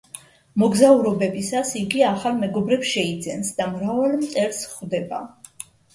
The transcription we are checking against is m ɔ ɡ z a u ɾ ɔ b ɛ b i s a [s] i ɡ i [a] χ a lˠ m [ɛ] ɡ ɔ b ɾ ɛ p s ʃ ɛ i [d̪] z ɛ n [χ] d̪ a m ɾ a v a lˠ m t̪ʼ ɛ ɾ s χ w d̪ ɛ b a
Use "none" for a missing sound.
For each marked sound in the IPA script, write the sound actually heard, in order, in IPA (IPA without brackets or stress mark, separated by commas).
s, a, ɛ, d̪, s